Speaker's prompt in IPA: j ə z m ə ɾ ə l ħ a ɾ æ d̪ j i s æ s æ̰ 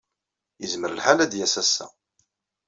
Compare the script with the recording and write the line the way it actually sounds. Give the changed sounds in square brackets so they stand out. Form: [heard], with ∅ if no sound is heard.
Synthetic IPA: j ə z m ə ɾ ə l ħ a [l] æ d̪ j [æ] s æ s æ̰